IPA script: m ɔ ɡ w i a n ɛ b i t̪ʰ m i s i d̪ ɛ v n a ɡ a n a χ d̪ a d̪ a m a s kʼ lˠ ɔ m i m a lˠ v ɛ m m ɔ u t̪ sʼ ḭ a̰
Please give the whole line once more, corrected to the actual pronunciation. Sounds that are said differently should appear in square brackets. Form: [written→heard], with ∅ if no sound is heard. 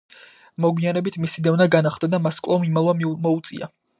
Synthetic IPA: m ɔ ɡ w i a n ɛ b i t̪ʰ m i s i d̪ ɛ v n a ɡ a n a χ d̪ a d̪ a m a s kʼ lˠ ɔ m i m a lˠ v [ɛ→a] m m ɔ u t̪ sʼ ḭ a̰